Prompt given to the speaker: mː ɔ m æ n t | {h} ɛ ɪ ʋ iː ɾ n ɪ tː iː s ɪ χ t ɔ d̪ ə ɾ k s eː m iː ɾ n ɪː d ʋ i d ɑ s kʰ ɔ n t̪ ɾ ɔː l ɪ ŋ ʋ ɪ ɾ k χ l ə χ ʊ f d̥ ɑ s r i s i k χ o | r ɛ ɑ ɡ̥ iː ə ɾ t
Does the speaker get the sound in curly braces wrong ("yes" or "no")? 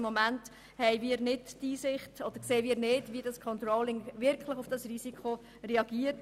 no